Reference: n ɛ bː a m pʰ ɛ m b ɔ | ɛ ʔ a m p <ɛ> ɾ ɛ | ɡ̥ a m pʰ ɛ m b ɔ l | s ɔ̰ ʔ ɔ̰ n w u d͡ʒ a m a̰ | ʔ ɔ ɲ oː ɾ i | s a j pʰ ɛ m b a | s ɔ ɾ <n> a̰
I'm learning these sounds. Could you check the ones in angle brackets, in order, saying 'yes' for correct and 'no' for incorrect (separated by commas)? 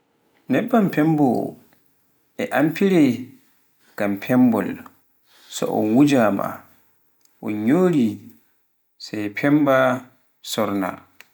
no, yes